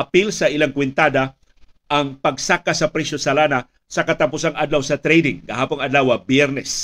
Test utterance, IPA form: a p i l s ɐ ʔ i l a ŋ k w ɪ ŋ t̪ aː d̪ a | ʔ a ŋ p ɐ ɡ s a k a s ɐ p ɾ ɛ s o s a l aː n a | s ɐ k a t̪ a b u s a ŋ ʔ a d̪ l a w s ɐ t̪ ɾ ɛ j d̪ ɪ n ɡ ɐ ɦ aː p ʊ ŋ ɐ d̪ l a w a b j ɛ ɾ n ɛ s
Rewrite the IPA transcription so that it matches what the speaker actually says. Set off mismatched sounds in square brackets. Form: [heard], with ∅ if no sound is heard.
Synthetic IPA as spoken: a p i l s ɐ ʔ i l a ŋ k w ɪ [n] t̪ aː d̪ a | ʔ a ŋ p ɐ ɡ s a k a s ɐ p ɾ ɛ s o s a l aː n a | s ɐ k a t̪ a [p] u s a ŋ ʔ a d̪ l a w s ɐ t̪ ɾ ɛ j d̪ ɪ [ŋ] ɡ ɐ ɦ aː p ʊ ŋ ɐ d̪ l a w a b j ɛ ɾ n ɛ s